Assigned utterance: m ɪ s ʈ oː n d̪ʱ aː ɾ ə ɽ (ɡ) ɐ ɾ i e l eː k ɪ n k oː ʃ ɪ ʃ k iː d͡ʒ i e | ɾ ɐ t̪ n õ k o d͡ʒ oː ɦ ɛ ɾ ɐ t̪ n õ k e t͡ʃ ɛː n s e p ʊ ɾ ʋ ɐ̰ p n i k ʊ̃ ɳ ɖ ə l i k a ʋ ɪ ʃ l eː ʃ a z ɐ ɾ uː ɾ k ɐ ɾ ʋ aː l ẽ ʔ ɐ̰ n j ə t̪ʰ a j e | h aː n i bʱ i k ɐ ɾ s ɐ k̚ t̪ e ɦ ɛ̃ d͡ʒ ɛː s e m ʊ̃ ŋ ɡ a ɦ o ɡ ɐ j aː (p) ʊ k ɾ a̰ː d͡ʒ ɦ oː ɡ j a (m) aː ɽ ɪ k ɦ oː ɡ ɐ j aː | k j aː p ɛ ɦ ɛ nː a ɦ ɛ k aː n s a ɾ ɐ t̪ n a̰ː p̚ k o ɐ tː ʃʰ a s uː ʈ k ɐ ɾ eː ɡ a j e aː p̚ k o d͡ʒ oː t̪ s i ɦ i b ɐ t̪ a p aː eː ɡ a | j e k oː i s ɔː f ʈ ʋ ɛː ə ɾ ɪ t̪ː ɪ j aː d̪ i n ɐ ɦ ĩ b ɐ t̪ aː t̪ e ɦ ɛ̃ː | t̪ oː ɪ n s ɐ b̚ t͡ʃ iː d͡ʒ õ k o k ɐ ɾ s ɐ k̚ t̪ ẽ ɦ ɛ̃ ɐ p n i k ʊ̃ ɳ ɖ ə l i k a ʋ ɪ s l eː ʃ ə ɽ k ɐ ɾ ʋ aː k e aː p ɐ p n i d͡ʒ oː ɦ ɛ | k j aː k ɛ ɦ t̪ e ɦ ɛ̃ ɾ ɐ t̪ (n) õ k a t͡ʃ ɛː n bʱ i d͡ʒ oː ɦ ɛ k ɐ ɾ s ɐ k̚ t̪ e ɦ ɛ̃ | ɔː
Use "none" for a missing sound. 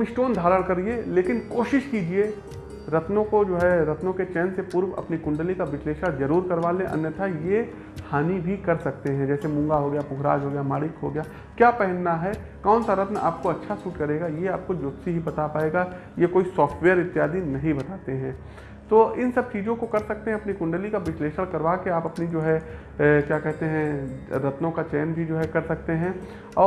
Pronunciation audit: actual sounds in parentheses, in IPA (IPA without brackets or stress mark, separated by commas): k, p, m, n